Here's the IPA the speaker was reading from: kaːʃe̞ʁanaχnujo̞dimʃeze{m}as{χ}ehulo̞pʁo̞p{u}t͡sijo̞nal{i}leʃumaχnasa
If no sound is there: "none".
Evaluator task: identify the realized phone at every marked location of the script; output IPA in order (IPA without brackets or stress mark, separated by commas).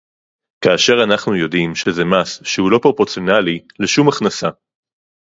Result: m, ʃ, o, i